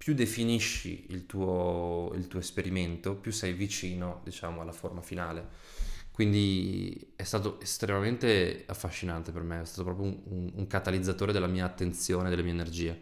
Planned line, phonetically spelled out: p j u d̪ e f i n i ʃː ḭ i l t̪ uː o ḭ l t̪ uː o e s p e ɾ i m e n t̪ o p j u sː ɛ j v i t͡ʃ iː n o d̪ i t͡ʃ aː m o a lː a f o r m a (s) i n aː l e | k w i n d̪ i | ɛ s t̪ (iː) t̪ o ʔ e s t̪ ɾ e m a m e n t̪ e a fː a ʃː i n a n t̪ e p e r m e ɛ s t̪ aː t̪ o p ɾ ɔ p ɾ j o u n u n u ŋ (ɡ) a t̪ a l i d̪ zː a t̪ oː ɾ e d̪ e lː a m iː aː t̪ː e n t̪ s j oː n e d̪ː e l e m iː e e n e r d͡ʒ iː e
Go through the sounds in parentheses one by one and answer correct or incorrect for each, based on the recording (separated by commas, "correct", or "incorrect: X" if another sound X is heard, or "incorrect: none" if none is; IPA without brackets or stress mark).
incorrect: f, incorrect: aː, incorrect: k